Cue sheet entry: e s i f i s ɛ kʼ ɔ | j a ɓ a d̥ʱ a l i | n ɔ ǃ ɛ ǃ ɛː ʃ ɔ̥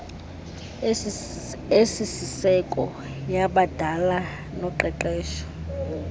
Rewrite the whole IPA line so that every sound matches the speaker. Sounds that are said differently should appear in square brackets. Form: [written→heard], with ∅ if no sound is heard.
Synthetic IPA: e s i [f→s] i s ɛ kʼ ɔ | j a ɓ a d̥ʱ a l [i→a] | n ɔ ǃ ɛ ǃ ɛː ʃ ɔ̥

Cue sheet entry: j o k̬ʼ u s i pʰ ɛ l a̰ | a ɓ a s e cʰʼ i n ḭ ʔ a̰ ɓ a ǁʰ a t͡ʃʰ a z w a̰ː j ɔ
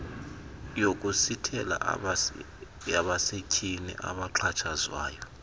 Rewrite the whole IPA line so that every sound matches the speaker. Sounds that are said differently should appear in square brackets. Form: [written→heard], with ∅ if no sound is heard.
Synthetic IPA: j o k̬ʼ u s i [pʰ→tʰ] ɛ l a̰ | a ɓ a s e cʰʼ i n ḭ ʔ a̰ ɓ a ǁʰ a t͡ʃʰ a z w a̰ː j ɔ

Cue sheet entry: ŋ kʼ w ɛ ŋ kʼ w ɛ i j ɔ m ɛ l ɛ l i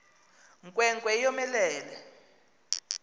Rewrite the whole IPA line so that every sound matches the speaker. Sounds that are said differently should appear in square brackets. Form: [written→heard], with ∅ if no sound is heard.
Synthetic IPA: ŋ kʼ w ɛ ŋ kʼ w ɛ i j ɔ m ɛ l [ɛ→ɛː] l [i→ɛ]

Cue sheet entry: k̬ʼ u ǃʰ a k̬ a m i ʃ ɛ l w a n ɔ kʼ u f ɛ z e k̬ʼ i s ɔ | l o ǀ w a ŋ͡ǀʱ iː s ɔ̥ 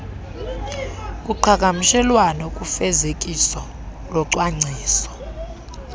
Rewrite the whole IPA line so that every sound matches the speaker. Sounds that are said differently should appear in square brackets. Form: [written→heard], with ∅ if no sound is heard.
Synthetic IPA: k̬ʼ u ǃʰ a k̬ a m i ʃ ɛ l w a n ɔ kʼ u f ɛ z e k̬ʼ i s ɔ | l [o→ɔ] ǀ w a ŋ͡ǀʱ iː s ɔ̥

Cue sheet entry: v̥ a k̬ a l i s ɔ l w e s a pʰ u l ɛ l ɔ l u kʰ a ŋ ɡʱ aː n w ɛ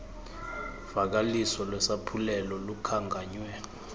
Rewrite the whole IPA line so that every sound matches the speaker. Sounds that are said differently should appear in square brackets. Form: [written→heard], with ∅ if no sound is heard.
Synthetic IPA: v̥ a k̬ a l i s ɔ l w [e→ɛ] s a pʰ u l ɛ l ɔ l u kʰ a ŋ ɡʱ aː [n→ɲ] w ɛ

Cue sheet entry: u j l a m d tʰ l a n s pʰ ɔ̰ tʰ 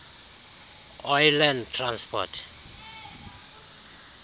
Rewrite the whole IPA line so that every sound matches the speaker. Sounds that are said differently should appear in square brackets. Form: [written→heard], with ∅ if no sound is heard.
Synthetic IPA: [u→ɔ] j l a [m→n] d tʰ [l→r] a n s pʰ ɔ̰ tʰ

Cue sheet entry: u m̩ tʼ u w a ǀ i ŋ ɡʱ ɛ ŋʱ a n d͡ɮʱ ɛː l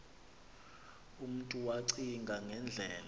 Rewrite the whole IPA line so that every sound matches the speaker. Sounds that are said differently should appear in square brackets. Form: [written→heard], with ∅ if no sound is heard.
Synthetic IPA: u m̩ tʼ u w a ǀ i ŋ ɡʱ [ɛ→a] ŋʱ [a→ɛ] n d͡ɮʱ ɛː l

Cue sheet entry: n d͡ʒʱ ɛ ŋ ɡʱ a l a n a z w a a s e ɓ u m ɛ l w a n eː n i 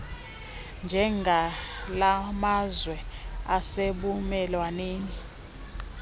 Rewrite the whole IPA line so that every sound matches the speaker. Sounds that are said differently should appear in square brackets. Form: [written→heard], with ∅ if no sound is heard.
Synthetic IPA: n d͡ʒʱ ɛ ŋ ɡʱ a l a [n→m] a z w [a→ɛ] a s e ɓ u m ɛ l w a n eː n i

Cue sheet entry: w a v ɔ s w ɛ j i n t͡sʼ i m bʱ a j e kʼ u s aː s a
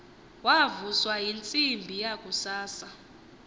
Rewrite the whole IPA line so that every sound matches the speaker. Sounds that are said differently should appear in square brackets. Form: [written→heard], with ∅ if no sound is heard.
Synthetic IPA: w a v [ɔ→u] s w [ɛ→a] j i n t͡sʼ i m bʱ [a→i] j [e→a] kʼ u s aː s a

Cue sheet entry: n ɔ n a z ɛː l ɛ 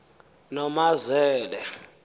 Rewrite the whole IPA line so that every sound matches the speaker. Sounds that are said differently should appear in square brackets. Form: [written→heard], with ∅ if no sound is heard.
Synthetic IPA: n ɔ [n→m] a z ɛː l ɛ

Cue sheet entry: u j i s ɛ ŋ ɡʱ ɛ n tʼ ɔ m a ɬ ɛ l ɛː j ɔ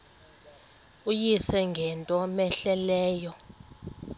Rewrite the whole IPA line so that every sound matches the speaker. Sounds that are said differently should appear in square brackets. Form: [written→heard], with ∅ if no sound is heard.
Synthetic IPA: u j i s ɛ ŋ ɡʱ ɛ n tʼ ɔ m [a→ɛ] ɬ ɛ l ɛː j ɔ

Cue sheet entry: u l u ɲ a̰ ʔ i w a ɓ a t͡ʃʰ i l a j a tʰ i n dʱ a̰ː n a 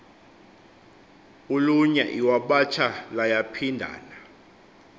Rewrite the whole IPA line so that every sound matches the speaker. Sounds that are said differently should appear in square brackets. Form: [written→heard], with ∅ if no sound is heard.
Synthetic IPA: u l u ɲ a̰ ʔ i w a ɓ a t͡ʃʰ [i→a] l a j a [tʰ→pʰ] i n dʱ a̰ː n a

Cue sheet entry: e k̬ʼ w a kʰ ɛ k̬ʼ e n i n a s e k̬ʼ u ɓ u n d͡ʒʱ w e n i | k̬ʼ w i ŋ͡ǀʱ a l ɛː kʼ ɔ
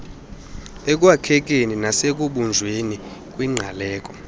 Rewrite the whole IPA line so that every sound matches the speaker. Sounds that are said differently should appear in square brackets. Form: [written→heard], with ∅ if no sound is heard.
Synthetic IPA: e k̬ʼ w a kʰ ɛ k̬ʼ e n i n a s e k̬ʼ u ɓ u n d͡ʒʱ w e n i | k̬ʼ w i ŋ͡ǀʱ a l ɛː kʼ ɔ

